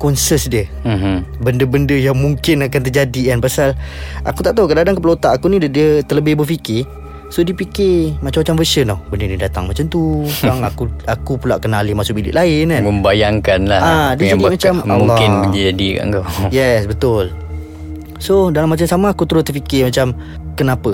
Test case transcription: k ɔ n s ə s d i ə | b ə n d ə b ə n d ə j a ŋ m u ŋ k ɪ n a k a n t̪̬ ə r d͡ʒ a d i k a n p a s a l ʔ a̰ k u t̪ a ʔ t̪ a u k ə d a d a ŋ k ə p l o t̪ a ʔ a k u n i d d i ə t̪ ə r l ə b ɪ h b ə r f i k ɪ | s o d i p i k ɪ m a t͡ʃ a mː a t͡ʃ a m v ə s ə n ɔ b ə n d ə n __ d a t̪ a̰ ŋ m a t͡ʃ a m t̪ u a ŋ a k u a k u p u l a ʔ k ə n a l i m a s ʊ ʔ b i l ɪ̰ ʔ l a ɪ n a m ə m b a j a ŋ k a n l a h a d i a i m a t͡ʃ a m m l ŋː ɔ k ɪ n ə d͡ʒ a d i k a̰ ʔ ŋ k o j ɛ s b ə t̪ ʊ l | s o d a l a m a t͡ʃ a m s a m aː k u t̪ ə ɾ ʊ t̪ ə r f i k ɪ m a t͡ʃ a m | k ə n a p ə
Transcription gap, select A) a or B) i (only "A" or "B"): B